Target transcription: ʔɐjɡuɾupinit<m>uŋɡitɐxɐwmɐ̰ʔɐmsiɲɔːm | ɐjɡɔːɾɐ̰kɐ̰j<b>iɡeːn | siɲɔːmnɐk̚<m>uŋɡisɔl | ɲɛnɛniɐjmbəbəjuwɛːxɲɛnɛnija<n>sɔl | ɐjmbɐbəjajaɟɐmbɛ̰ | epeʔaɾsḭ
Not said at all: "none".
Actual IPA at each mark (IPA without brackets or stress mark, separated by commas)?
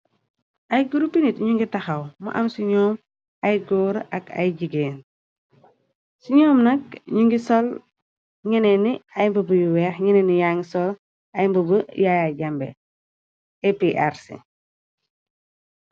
ɲ, ɟ, ɲ, ŋ